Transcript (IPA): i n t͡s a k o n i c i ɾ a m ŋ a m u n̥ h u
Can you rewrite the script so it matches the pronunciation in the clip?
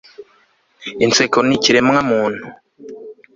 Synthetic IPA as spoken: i n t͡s e k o n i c i ɾ e m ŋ a m uː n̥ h u